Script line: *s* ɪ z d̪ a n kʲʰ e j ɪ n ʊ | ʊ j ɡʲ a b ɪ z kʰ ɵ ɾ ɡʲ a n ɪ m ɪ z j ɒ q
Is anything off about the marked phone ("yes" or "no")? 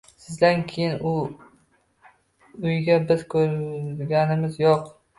no